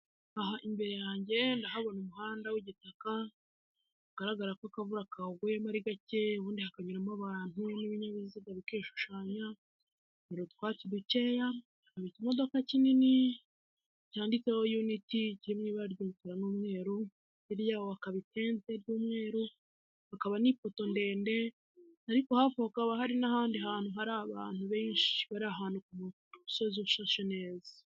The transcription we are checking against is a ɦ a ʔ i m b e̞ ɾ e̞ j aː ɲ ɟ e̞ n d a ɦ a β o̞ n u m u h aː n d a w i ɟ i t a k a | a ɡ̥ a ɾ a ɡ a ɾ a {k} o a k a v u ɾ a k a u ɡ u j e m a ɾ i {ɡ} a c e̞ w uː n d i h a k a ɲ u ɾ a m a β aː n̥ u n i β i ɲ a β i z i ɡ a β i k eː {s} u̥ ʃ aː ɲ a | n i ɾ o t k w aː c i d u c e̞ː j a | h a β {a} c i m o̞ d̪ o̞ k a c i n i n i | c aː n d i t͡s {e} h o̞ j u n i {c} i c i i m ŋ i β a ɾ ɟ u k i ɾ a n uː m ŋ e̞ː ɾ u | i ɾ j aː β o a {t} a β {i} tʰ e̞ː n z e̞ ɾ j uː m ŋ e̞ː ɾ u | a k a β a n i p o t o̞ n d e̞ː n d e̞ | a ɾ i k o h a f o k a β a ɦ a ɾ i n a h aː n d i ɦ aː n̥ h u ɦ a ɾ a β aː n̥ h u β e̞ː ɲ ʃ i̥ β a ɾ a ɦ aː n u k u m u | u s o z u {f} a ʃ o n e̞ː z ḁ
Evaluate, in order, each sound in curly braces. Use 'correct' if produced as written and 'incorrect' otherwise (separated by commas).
correct, correct, incorrect, incorrect, correct, incorrect, incorrect, correct, incorrect